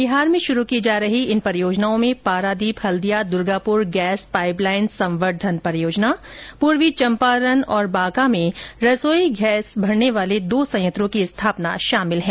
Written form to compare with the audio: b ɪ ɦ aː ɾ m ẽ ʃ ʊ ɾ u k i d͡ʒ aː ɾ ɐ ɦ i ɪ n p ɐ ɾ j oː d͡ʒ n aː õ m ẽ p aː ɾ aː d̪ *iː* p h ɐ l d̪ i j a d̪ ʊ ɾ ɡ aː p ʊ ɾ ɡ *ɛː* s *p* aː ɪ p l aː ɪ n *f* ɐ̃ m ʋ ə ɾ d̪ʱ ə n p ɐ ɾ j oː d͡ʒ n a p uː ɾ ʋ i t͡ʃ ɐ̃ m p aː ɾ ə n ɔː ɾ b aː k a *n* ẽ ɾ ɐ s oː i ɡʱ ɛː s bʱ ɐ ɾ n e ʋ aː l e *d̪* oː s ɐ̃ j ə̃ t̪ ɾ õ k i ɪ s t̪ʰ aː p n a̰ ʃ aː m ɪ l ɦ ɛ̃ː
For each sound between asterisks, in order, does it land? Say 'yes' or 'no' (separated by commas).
yes, yes, yes, no, no, yes